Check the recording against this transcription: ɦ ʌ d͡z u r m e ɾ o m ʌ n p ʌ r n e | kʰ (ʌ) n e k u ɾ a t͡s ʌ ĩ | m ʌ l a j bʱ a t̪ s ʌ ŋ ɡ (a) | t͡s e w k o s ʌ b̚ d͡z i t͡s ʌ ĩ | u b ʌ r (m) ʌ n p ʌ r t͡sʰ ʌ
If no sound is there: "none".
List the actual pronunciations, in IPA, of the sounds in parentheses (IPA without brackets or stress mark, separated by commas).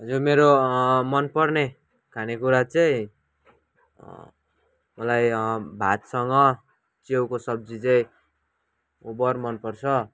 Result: a, ʌ, m